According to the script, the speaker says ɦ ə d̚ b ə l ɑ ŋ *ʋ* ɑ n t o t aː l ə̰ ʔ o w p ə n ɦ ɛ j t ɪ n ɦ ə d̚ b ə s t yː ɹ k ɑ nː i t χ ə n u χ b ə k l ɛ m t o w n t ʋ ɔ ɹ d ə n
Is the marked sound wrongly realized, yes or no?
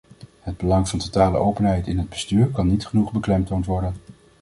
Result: yes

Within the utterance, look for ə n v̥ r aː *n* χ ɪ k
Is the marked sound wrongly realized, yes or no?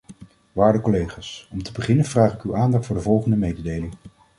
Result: yes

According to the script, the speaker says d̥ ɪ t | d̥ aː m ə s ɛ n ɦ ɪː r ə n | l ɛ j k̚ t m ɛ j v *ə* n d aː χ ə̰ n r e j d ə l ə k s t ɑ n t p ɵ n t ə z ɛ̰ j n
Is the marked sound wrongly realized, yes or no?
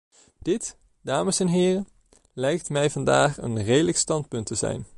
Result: yes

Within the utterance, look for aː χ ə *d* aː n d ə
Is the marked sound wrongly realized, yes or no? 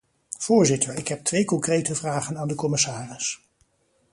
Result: yes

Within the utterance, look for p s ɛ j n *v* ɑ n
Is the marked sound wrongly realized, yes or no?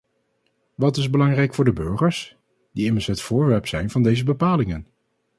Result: no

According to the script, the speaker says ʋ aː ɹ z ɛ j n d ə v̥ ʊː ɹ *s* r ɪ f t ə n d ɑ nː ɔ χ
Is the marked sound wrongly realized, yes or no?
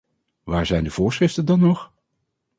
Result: no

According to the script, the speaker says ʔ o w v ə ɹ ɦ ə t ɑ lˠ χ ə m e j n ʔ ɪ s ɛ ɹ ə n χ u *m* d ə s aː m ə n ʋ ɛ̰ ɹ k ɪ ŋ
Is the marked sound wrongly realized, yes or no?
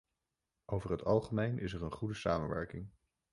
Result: yes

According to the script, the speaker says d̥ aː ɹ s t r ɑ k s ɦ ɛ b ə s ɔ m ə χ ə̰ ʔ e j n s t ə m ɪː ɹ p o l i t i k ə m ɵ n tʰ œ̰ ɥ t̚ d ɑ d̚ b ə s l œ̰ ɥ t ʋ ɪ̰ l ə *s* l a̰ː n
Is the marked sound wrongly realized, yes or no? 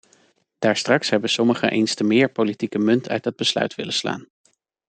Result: no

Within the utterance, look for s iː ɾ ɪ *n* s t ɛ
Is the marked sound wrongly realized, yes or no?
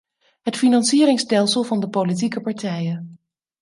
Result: yes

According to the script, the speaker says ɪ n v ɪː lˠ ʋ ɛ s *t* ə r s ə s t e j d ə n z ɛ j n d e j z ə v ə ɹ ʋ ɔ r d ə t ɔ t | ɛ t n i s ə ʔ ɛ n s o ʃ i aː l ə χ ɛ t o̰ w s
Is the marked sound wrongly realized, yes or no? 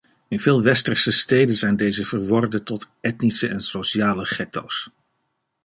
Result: no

